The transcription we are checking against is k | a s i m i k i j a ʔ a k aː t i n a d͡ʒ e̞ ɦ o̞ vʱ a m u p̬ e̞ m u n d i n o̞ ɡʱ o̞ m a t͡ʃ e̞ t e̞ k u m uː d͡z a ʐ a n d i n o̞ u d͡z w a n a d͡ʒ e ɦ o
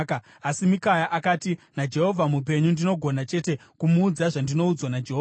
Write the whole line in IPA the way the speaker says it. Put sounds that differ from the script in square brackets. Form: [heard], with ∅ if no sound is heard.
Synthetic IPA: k | a s i m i k [a] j a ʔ a k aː t i n a d͡ʒ e̞ ɦ o̞ vʱ a m u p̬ e̞ [ɲ] u n d i n o̞ ɡʱ o̞ [n] a t͡ʃ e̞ t e̞ k u m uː d͡z a ʐ a n d i n o̞ u d͡z w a n a d͡ʒ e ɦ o